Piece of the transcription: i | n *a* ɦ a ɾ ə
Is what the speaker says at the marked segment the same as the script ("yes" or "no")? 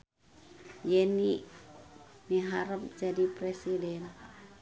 no